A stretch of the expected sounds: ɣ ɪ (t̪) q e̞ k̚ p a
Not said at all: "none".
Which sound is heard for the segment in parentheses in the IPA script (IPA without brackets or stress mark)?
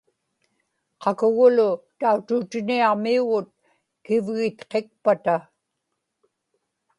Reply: t̪